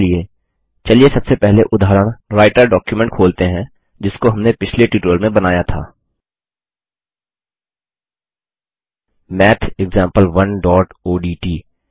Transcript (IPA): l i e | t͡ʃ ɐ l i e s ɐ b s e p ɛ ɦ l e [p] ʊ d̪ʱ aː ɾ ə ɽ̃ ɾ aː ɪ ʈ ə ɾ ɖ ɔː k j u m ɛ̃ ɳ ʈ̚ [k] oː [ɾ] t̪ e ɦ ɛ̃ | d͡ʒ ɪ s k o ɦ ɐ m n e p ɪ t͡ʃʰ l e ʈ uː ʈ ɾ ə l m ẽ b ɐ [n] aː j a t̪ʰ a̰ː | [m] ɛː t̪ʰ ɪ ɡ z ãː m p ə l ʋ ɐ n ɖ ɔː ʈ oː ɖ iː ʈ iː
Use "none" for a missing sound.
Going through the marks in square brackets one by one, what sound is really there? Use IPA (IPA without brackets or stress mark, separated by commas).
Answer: ʔ, kʰ, l, n, m